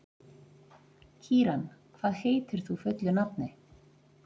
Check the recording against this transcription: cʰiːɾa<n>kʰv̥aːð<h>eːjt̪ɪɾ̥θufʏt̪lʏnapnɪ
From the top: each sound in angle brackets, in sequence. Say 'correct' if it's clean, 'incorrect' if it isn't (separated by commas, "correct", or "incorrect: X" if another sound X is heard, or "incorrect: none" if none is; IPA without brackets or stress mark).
correct, correct